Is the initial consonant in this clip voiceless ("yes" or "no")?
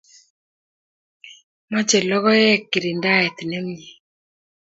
no